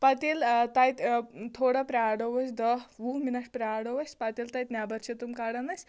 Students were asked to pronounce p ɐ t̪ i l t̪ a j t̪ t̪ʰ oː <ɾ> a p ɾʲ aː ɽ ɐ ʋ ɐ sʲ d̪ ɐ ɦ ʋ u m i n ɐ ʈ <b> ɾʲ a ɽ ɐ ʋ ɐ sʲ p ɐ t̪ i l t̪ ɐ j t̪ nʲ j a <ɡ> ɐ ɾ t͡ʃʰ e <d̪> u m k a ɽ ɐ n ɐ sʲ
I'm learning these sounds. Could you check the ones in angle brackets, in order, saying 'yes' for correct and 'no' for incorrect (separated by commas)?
no, no, no, no